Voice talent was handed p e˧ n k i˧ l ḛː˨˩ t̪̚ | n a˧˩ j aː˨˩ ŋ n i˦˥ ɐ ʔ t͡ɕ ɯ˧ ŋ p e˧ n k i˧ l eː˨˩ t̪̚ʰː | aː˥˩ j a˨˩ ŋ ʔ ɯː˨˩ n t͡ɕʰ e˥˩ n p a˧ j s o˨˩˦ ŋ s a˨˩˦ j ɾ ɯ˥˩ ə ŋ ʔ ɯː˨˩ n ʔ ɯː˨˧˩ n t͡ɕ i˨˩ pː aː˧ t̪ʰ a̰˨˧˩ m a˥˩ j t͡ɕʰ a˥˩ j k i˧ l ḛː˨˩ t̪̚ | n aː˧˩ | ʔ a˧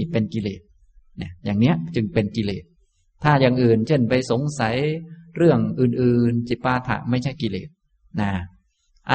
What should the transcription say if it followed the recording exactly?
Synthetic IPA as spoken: p e˧ n k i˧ l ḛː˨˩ t̪̚ | n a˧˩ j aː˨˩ ŋ n i˦˥ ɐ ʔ t͡ɕ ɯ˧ ŋ p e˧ n k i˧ l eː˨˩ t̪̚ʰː | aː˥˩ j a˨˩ ŋ ʔ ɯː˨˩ n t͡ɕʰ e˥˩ n p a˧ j s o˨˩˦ ŋ s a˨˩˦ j ɾ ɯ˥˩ ə ŋ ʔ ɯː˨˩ n ʔ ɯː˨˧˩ n t͡ɕ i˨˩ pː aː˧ t̪ʰ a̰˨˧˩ m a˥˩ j t͡ɕʰ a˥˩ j k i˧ l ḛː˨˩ t̪̚ | n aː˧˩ | ʔ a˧